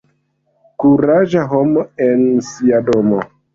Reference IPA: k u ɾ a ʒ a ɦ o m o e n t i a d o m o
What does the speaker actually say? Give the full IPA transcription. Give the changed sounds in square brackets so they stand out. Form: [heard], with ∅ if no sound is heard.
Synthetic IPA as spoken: k u ɾ a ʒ a ɦ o m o e n [s] i a d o m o